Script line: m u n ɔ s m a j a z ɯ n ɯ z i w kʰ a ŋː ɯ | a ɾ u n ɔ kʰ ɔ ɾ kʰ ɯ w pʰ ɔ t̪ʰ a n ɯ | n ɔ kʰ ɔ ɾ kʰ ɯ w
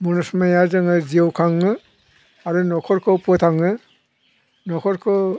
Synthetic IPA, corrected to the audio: m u n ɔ s m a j a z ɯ ŋ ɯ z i w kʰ a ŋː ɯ | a ɾ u n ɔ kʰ ɔ ɾ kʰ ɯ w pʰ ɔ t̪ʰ a ŋ ɯ | n ɔ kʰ ɔ ɾ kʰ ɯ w